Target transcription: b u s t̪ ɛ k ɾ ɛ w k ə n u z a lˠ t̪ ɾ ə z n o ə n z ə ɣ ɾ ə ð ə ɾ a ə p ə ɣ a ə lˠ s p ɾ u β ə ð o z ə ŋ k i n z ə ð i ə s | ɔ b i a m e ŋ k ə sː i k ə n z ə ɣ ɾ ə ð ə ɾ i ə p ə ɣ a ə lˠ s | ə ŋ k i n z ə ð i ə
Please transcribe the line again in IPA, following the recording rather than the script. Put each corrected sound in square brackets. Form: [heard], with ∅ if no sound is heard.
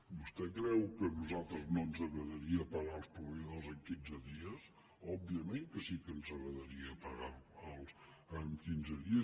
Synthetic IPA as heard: b u s t̪ ɛ k ɾ ɛ w k ə n u z a lˠ t̪ ɾ ə z n o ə n z ə ɣ ɾ ə ð ə ɾ [i] ə p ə ɣ a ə lˠ s p ɾ u β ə ð o z ə ŋ k i n z ə ð i ə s | ɔ b i [ə] m e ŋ k ə [s] i k ə n z ə ɣ ɾ ə ð ə ɾ i ə p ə ɣ a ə lˠ s | ə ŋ k i n z ə ð i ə